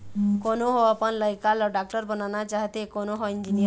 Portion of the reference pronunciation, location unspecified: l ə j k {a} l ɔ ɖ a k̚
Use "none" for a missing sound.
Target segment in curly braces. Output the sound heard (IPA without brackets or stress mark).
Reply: a